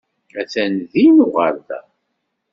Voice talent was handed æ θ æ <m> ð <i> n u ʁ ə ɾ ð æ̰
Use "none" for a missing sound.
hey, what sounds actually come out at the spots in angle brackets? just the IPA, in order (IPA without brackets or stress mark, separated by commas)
n, i